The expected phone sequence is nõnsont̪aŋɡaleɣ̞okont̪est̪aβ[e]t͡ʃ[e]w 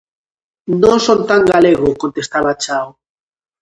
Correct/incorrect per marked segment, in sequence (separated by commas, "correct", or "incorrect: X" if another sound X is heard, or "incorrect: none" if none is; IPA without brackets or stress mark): incorrect: a, incorrect: a